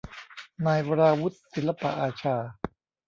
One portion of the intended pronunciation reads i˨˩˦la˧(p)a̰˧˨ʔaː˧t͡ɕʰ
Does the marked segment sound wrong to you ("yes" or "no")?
no